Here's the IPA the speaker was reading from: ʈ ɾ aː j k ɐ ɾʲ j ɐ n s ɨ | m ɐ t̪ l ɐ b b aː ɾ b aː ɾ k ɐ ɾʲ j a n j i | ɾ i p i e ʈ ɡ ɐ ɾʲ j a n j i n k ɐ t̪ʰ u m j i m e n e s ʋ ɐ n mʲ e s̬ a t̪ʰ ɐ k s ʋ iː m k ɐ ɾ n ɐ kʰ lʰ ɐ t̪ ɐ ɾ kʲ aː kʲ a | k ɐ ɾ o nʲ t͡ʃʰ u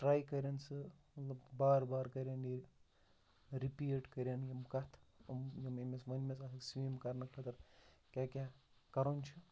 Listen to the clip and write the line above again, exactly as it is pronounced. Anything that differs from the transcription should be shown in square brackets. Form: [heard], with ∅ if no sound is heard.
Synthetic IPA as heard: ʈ ɾ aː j k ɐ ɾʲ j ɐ n s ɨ | m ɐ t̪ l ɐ b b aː ɾ b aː ɾ k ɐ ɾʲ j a n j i | ɾ i p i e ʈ [k] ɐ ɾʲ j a n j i [m] k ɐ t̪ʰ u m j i m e [m] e s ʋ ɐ n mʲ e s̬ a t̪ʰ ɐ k s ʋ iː m k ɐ ɾ n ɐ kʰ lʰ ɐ t̪ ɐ ɾ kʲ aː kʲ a | k ɐ ɾ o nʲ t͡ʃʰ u